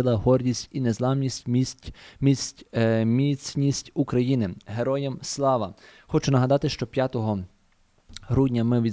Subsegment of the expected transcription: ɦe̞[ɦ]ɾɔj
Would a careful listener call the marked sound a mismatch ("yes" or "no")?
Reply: yes